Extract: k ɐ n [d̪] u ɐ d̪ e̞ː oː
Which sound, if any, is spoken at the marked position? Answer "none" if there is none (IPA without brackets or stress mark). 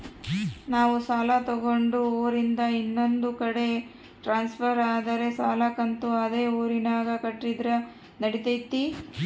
t̪